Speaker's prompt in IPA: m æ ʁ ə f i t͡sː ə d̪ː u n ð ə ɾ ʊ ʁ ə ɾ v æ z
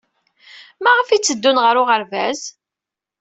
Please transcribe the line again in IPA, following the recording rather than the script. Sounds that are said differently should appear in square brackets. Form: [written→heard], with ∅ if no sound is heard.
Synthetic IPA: m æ ʁ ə f i t͡sː ə d̪ː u n [ð→ʁ] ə ɾ ʊ ʁ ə ɾ v æ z